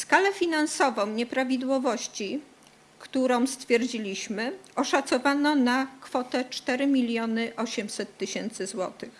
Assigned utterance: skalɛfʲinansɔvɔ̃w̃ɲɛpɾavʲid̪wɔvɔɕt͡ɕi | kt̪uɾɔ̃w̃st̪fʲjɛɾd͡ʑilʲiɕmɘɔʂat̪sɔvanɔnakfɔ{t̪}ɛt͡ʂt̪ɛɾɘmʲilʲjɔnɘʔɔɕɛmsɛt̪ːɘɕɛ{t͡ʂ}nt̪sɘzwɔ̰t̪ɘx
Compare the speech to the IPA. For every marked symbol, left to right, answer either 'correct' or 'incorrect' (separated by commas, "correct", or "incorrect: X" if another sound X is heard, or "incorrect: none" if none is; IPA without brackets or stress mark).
correct, incorrect: none